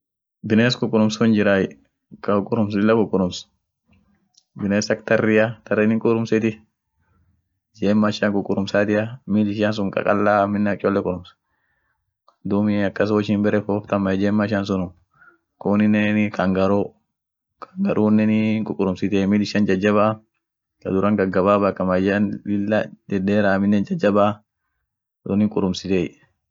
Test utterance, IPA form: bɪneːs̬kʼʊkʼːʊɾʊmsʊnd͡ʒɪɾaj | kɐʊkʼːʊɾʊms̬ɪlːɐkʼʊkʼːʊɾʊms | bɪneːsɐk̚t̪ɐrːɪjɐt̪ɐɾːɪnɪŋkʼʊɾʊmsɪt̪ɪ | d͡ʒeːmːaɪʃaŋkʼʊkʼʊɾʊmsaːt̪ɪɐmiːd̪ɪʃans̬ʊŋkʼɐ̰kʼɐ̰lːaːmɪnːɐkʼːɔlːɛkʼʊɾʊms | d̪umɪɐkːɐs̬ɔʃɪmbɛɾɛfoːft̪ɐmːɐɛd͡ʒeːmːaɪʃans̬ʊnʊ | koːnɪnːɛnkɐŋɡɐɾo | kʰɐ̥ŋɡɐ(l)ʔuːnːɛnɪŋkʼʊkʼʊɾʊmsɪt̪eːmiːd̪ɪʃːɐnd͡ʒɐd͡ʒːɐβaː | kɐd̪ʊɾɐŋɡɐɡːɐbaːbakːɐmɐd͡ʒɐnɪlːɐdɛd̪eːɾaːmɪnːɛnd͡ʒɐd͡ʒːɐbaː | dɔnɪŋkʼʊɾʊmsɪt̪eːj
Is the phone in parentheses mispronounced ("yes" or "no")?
yes